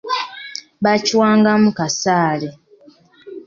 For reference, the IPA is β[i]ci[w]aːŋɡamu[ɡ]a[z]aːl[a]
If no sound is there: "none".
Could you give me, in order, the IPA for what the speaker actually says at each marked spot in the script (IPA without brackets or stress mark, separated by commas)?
a, w, k, s, e